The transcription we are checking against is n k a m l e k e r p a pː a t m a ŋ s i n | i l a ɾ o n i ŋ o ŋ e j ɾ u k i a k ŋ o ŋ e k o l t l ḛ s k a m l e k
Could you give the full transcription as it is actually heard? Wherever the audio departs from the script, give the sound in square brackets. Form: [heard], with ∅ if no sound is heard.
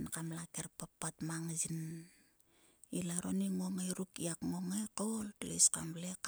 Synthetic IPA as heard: n k a m l [a] k e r p a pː a t m a ŋ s i n | i l a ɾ o n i ŋ o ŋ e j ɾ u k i a k ŋ o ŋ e k o l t l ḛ s k a m l e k